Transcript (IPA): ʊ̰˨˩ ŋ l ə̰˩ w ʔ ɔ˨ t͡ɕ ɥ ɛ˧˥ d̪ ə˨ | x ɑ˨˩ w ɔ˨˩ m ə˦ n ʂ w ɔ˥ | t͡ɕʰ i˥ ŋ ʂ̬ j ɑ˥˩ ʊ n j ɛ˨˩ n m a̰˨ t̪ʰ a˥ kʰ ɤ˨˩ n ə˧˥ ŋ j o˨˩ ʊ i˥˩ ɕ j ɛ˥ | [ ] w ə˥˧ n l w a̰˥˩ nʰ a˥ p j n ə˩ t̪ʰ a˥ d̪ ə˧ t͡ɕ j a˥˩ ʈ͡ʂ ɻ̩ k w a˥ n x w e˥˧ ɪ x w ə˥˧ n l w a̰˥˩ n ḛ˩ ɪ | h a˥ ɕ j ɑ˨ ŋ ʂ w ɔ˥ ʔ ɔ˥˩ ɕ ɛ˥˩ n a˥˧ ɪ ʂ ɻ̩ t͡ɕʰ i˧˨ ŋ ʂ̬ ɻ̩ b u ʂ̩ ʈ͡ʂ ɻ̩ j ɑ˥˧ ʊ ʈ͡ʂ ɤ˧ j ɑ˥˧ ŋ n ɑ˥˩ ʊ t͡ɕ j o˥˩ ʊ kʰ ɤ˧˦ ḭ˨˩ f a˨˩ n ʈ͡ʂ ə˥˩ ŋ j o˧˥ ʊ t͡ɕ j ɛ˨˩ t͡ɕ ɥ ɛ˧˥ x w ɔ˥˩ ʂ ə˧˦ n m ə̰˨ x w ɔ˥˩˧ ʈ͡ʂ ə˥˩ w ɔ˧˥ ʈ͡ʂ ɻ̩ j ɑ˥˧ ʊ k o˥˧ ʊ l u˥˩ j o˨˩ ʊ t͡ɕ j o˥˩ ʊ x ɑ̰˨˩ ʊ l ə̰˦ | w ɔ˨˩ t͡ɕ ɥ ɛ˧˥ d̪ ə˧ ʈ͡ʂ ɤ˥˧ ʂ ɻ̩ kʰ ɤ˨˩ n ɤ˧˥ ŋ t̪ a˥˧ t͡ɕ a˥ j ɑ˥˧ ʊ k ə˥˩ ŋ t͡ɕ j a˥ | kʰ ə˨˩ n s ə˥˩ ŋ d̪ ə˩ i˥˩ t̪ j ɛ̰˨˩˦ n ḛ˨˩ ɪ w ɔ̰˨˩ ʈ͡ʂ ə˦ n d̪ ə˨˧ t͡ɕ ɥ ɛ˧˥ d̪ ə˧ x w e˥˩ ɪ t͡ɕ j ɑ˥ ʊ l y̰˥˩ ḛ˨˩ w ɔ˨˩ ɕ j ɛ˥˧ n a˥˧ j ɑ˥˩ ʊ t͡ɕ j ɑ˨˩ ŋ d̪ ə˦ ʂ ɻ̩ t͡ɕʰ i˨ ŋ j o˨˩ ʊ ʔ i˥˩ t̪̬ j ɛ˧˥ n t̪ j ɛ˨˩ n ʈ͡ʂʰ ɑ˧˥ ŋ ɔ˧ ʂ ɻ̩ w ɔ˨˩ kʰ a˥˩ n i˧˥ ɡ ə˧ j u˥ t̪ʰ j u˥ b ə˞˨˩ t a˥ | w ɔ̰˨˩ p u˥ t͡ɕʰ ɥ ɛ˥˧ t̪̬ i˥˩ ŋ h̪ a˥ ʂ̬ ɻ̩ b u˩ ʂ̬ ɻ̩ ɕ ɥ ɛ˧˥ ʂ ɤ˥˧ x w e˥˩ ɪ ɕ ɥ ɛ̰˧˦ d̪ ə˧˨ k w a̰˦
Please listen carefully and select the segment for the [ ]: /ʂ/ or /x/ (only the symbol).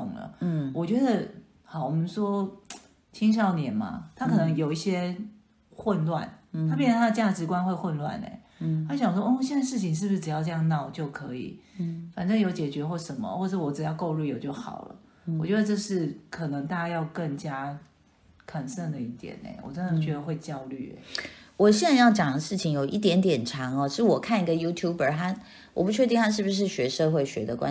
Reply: x